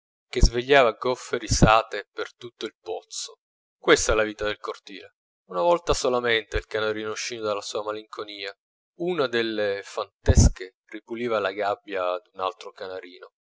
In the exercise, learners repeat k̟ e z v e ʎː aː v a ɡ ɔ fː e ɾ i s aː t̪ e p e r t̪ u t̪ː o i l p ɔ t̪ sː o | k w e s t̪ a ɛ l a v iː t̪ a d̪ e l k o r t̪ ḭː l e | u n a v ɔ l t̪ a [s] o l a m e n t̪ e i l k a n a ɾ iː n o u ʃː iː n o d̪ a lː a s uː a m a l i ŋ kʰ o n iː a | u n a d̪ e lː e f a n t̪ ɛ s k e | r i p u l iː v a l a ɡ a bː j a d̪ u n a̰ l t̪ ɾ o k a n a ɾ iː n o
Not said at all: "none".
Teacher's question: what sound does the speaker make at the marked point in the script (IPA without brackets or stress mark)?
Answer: s